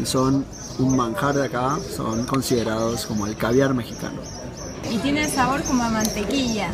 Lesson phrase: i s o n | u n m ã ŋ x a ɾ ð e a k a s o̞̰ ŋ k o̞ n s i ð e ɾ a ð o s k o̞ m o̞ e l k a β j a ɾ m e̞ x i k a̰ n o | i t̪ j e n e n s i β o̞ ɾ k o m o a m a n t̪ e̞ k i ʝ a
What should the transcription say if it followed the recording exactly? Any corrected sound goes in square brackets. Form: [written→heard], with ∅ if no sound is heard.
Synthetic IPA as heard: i s o n | u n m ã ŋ x a ɾ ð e a k a s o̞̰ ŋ k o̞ n s i ð e ɾ a ð o s k o̞ m o̞ e l k a β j a ɾ m e̞ x i k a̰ n o | i t̪ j e n e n s [i→a] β o̞ ɾ k o m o a m a n t̪ e̞ k i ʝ a